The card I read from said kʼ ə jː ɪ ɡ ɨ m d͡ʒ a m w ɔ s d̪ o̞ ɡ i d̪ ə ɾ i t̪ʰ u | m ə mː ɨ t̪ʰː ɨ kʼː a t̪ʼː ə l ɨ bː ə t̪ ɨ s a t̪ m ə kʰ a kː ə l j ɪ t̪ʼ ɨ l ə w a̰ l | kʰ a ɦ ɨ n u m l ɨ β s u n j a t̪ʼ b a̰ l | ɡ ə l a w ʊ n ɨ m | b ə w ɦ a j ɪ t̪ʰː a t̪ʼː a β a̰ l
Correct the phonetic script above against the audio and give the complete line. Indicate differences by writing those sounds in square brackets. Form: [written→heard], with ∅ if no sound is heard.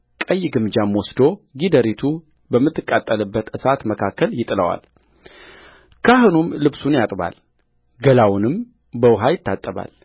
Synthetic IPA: kʼ ə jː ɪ ɡ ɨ m d͡ʒ a m w ɔ s d̪ o̞ ɡ i d̪ ə ɾ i t̪ʰ u | [m→b] ə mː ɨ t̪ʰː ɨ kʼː a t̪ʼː ə l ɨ bː ə t̪ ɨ s a t̪ m ə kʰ a kː ə l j ɪ t̪ʼ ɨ l ə w a̰ l | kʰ a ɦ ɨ n u m l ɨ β s u n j a t̪ʼ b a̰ l | ɡ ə l a w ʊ n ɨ m | b ə w ɦ a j ɪ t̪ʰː a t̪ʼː [a→ə] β a̰ l